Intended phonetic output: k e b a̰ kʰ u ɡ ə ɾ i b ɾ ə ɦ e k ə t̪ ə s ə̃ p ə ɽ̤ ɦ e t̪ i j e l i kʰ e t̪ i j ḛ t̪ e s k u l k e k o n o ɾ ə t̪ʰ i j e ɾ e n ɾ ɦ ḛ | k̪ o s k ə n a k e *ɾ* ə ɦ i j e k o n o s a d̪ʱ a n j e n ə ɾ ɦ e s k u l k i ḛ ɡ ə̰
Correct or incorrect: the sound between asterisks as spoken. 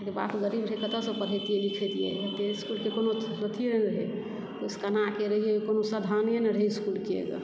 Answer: correct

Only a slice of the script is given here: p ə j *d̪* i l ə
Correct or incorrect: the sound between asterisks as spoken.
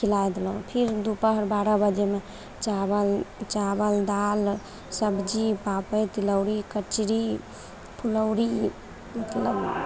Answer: incorrect: t̪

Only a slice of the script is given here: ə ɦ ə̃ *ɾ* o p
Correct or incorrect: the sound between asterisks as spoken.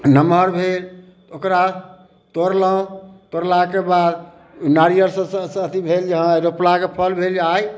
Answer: correct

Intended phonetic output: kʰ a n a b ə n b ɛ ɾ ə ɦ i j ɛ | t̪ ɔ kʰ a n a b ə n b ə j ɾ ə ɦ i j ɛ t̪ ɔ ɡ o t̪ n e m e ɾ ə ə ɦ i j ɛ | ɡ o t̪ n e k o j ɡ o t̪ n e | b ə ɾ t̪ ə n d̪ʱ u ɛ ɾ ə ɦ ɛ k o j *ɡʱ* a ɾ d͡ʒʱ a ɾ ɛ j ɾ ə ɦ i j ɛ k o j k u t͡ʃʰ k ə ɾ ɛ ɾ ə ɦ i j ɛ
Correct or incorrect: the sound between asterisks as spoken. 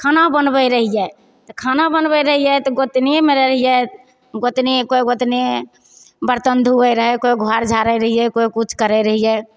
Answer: correct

